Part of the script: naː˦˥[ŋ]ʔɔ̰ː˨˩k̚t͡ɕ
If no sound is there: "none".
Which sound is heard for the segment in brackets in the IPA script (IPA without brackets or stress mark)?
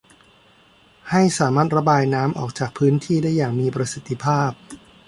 m